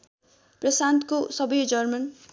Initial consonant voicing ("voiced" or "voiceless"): voiceless